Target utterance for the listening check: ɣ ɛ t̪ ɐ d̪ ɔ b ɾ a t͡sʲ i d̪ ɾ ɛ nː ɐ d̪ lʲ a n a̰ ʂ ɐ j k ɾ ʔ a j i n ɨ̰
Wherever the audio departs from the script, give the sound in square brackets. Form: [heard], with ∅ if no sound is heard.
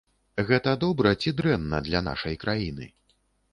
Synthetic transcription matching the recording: ɣ ɛ t̪ ɐ d̪ ɔ b ɾ [ɐ] t͡sʲ i d̪ ɾ ɛ nː ɐ d̪ lʲ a n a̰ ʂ ɐ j k ɾ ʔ a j i n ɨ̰